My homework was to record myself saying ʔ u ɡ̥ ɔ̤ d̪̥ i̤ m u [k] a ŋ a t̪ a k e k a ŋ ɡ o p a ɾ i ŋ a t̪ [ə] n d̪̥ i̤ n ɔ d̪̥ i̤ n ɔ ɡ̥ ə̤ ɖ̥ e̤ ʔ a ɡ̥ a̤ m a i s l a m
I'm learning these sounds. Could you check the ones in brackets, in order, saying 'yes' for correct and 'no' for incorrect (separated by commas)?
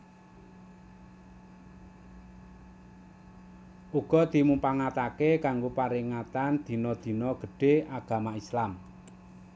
no, no